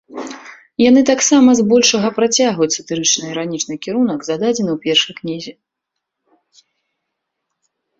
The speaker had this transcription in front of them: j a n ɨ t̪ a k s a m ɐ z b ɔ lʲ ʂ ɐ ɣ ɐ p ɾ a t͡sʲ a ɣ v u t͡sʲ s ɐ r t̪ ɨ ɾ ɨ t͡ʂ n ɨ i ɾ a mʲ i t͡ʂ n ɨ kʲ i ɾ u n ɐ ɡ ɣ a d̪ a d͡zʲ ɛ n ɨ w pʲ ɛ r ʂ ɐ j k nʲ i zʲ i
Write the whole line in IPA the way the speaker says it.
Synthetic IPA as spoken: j a n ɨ t̪ a k s a m ɐ z b ɔ lʲ ʂ ɐ ɣ ɐ p ɾ a t͡sʲ a ɣ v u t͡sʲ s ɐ t̪ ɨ ɾ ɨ t͡ʂ n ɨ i ɾ a nʲ i t͡ʂ n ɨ kʲ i ɾ u n ɐ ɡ z a d̪ a d͡zʲ ɛ n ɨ w pʲ ɛ r ʂ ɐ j k nʲ i zʲ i